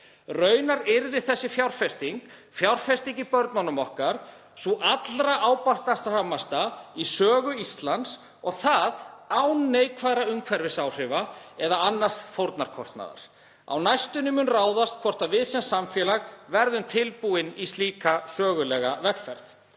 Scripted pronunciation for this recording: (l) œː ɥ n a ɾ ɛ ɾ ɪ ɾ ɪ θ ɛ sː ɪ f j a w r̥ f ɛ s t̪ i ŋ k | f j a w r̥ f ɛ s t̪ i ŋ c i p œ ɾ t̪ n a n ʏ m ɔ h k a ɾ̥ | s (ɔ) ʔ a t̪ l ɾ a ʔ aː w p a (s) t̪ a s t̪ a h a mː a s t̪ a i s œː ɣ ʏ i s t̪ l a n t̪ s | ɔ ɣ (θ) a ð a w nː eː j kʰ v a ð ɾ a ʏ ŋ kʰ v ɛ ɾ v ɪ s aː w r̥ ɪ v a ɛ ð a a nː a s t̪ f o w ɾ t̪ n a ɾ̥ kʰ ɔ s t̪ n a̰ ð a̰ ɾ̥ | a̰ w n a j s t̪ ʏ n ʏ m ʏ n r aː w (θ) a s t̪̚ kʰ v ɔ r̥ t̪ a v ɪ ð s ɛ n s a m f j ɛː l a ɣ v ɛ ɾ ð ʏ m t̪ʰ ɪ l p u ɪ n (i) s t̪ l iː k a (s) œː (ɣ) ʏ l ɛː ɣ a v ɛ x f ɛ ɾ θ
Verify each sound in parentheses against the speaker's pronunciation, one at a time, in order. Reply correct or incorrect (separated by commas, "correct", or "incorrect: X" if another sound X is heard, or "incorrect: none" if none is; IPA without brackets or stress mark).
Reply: incorrect: r, incorrect: u, correct, correct, incorrect: ð, correct, correct, correct